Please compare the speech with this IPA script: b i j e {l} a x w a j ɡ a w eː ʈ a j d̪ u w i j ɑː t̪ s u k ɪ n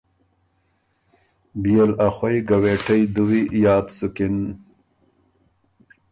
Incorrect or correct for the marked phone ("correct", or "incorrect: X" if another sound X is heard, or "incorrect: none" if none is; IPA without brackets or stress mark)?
correct